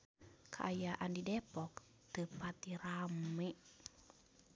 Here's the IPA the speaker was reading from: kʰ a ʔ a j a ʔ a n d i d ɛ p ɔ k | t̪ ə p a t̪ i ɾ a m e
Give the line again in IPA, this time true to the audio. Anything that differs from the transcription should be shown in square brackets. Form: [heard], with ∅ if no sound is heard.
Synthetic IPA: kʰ a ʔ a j a ʔ a n d i d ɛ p ɔ k | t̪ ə p a t̪ i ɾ a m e